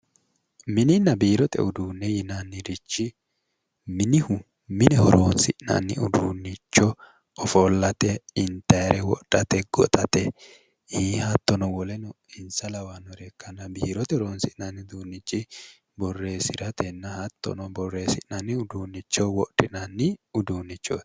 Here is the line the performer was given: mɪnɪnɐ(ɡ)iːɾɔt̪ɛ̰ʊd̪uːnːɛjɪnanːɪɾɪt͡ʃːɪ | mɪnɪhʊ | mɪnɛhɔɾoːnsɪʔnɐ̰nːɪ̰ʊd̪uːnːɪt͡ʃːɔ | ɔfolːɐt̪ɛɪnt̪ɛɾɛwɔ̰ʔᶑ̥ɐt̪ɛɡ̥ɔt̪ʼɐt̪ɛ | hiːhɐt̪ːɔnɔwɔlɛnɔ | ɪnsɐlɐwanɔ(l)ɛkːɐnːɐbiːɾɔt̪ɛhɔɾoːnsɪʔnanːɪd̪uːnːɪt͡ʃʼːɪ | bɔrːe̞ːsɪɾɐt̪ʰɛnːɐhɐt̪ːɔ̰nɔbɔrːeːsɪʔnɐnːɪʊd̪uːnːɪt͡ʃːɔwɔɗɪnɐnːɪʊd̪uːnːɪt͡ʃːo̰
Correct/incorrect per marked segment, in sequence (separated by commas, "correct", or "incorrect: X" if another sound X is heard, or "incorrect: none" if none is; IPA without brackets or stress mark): incorrect: b, incorrect: ɾ